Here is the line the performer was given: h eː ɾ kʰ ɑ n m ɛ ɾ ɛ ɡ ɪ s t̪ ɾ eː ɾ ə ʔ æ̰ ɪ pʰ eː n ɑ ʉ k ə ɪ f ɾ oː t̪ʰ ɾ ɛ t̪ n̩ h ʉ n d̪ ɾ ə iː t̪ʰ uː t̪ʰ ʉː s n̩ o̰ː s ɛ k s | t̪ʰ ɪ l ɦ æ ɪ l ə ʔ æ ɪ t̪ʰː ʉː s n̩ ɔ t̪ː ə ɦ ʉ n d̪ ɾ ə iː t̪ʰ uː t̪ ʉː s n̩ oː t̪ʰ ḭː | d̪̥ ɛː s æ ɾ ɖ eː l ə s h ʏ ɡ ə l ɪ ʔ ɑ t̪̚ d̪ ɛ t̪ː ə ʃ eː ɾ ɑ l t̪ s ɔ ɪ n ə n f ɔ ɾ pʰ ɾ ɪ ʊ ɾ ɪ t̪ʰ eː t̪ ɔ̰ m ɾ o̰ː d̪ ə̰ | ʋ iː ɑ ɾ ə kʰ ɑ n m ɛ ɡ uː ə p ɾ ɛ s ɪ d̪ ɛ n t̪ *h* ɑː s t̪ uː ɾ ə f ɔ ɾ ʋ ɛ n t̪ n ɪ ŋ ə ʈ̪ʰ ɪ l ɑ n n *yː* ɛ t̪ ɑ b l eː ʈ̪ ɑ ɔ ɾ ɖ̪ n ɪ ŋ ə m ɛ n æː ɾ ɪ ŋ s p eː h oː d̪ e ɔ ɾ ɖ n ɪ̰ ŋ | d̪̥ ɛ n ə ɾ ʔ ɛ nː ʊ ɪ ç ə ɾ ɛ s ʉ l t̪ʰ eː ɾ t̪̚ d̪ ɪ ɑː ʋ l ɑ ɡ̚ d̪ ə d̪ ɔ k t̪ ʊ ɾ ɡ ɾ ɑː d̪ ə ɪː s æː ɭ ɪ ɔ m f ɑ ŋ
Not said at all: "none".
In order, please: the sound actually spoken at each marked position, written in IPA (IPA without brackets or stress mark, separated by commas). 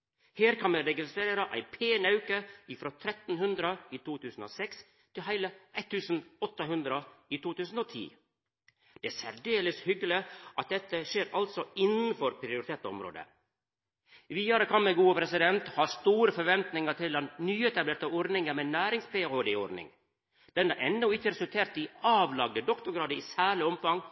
h, yː